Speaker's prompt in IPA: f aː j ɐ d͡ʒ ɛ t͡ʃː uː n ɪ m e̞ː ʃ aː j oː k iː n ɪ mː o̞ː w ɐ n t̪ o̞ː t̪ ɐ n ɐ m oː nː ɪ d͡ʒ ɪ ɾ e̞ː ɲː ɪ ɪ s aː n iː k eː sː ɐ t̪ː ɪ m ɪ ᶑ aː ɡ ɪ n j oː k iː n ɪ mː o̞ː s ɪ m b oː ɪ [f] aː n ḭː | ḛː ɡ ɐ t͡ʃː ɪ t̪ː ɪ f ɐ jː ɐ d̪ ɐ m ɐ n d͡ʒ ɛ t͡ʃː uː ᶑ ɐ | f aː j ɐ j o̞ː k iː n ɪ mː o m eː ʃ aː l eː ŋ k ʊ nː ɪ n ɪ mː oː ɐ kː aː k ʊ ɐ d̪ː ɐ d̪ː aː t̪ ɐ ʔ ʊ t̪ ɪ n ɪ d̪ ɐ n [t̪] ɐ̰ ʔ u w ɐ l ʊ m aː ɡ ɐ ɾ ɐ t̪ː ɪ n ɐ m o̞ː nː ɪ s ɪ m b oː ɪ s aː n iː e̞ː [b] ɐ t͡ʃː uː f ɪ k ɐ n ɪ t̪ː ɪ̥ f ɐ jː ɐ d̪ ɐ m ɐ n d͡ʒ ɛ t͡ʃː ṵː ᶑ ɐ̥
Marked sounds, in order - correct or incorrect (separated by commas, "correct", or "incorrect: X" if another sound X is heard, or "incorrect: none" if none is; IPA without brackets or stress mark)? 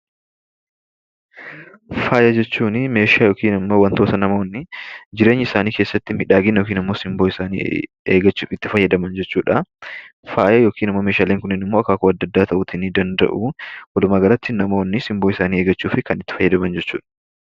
incorrect: s, incorrect: d̪, incorrect: ɡ